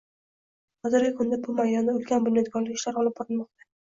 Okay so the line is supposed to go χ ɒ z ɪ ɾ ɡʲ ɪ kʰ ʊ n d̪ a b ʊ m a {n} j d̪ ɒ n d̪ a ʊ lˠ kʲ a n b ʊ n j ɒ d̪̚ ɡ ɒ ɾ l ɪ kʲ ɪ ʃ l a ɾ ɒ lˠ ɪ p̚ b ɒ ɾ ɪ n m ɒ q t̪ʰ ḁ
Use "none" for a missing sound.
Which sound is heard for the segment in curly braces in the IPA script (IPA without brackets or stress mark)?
none